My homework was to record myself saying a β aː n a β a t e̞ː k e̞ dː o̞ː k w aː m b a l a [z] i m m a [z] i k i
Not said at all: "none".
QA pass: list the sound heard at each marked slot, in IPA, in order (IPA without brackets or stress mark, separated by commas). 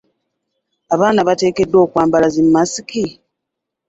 z, s